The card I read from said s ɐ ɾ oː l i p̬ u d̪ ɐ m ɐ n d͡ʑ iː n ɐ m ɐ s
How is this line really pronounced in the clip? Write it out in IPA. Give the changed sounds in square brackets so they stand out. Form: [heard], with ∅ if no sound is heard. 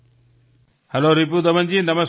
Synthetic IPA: [h] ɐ [l] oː [ɾ] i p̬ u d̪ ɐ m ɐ n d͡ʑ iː n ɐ m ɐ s